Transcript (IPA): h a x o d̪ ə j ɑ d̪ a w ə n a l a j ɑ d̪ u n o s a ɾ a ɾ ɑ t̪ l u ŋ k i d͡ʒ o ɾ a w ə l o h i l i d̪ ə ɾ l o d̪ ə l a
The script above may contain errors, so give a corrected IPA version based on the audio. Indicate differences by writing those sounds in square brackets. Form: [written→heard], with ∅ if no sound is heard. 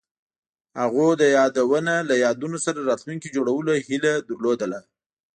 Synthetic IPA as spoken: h a [x→ɣ] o d̪ ə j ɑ d̪ a w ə n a l a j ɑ d̪ u n o s a ɾ a ɾ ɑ t̪ l u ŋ k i d͡ʒ o [ɾ→ɽ] a w ə l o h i l [i→a] d̪ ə ɾ l o d̪ ə l a